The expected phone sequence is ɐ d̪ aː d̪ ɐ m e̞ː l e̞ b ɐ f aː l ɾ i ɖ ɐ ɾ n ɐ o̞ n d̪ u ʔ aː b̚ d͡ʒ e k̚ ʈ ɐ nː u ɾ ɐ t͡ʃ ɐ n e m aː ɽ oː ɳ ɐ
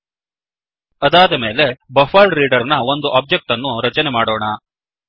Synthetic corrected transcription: ɐ d̪ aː d̪ ɐ m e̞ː l e̞ b ɐ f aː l ɾ iː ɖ ɐ ɾ n ɐ o̞ n d̪ u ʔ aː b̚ d͡ʒ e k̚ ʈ ɐ nː u ɾ ɐ t͡ʃ ɐ n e m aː ɽ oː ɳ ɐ